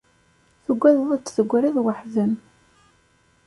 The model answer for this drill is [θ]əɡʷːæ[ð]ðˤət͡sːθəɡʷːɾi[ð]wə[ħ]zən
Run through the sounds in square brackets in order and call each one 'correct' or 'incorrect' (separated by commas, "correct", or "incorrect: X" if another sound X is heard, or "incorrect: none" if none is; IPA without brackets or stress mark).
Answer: correct, correct, correct, correct